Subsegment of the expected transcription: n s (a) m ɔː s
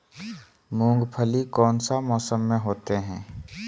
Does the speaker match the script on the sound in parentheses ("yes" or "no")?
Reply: yes